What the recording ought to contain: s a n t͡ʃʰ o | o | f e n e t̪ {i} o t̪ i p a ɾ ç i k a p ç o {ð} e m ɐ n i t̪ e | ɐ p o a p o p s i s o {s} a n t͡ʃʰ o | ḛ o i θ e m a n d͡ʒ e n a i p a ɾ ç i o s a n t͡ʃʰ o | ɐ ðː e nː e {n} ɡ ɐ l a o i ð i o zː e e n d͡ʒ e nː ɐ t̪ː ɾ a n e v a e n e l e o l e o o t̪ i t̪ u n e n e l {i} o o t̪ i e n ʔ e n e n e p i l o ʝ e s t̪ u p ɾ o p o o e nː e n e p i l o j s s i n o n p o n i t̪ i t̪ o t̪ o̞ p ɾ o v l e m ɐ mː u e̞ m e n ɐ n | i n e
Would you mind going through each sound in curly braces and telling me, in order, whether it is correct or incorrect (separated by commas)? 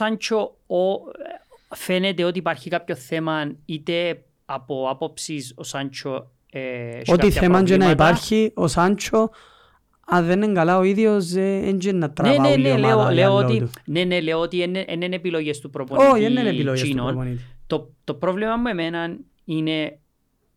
incorrect, incorrect, correct, incorrect, incorrect